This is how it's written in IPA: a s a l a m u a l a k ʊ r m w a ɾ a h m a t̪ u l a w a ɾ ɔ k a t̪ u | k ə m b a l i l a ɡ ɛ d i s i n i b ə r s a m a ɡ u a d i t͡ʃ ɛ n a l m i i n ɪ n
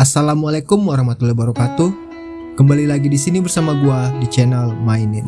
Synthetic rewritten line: a s a l a m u a l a k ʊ m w a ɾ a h m a t̪ u l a b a ɾ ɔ k a t̪ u | k ə m b a l i l a ɡ i d i s i n i b ə r s a m a ɡ u a d i t͡ʃ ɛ n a l m a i n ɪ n